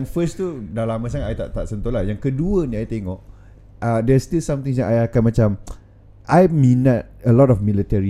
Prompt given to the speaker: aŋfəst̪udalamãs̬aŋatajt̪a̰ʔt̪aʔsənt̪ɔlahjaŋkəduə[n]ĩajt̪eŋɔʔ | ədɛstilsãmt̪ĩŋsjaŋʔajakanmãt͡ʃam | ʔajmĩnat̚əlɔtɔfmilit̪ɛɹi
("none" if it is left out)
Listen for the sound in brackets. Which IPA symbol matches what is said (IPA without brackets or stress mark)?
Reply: n